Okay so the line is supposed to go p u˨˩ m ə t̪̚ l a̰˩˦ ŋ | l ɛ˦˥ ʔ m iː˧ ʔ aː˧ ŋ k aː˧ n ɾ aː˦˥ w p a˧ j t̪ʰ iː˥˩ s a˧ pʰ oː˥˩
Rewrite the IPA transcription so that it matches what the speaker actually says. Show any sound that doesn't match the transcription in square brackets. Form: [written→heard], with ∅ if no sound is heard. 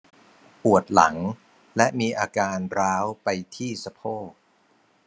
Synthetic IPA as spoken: p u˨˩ [m→∅] ə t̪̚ l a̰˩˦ ŋ | l ɛ˦˥ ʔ m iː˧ ʔ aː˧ [ŋ→∅] k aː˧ n ɾ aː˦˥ w p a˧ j t̪ʰ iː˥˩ s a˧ pʰ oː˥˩